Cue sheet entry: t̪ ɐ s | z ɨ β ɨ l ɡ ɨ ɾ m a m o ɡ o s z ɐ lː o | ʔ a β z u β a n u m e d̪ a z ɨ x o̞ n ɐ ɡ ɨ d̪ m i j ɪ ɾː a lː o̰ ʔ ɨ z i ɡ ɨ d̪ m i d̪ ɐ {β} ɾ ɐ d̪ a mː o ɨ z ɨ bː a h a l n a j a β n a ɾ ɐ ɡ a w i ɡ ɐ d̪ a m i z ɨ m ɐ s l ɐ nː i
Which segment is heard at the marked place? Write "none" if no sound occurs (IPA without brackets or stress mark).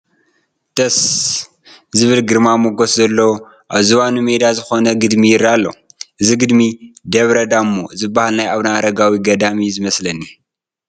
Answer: β